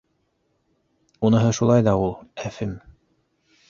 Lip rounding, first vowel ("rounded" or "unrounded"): rounded